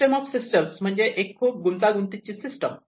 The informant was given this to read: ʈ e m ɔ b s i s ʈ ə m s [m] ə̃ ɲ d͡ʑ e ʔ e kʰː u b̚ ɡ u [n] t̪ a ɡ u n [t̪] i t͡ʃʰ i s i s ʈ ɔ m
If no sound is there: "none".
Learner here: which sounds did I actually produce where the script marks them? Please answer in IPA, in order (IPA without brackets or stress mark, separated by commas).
m, n, t̪